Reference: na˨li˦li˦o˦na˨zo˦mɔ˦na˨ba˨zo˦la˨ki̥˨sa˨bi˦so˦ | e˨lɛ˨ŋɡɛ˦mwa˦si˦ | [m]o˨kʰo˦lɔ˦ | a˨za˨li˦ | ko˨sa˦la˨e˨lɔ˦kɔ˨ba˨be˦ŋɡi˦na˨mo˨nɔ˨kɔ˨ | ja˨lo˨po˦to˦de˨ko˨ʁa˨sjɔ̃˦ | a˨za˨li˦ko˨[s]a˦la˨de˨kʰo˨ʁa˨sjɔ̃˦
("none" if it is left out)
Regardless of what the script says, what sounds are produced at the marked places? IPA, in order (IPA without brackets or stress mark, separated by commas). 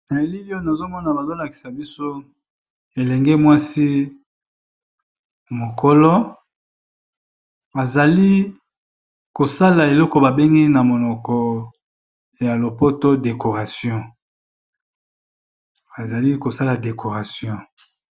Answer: m, s